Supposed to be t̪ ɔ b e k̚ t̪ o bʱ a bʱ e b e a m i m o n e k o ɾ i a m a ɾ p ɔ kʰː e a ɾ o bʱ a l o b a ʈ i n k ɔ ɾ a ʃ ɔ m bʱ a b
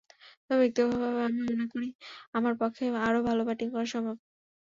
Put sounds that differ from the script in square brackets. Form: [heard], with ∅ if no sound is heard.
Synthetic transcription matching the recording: t̪ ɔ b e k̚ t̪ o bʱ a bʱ [a] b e a m i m o n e k o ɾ i a m a ɾ p ɔ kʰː e a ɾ o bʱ a l o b a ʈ i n k ɔ ɾ a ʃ ɔ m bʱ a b